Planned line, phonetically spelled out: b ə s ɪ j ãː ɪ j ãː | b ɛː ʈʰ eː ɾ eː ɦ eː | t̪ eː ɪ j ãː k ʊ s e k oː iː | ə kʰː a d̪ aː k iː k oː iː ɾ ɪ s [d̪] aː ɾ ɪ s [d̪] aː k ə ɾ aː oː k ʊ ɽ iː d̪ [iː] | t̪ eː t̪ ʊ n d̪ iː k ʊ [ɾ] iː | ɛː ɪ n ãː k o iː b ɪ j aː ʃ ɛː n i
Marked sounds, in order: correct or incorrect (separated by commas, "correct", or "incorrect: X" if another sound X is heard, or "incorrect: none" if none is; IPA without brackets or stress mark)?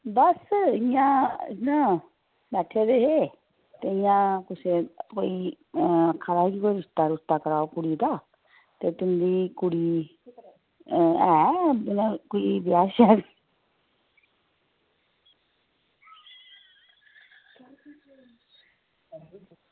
incorrect: t̪, incorrect: t̪, incorrect: aː, incorrect: ɽ